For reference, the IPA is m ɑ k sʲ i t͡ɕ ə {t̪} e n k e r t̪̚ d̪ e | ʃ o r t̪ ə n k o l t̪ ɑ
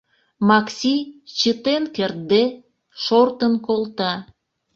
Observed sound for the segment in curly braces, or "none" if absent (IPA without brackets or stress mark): t̪